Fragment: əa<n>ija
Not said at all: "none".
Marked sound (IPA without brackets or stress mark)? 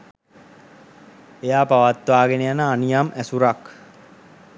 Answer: n